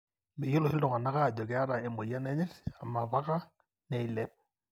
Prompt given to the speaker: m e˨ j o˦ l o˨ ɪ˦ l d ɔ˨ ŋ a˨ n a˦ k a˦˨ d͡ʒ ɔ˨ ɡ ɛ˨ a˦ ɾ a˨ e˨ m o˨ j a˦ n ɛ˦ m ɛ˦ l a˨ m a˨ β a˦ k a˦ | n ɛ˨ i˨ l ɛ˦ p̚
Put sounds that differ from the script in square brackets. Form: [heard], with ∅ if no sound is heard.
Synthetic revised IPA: m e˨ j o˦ l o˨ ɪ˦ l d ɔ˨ ŋ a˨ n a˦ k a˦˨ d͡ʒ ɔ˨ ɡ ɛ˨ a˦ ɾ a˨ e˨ m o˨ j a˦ n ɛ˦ [ɲ] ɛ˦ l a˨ m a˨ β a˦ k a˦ | n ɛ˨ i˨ l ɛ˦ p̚